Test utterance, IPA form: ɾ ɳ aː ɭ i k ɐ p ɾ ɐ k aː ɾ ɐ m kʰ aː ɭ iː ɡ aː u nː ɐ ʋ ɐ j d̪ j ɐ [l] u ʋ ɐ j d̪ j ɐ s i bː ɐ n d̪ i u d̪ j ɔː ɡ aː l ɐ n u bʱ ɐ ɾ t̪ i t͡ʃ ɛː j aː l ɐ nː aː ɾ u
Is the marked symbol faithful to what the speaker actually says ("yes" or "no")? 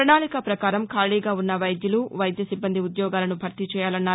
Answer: yes